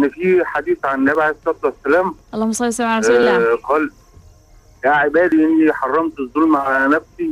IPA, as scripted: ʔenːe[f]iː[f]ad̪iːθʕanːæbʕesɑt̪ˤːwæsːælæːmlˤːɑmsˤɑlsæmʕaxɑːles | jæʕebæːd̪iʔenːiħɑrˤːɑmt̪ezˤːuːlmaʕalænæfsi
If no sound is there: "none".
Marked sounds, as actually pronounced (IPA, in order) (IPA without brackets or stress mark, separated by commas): f, ħ